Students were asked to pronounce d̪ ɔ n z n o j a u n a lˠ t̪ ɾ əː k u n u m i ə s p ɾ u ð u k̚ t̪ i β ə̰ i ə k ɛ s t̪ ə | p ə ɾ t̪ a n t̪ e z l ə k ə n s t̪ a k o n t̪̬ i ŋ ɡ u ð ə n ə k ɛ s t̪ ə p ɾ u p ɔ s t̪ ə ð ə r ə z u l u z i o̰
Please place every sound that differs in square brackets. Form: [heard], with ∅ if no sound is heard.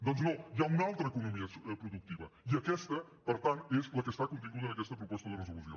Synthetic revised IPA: d̪ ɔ n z n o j a u n a lˠ t̪ ɾ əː k u n u m i ə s p ɾ u ð u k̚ t̪ i β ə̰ i ə k ɛ s t̪ ə | p ə ɾ t̪ a n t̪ e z l ə k ə [∅] s t̪ a k [u] n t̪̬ i ŋ ɡ u ð ə n ə k ɛ s t̪ ə p ɾ u p ɔ s t̪ ə ð ə r ə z u l u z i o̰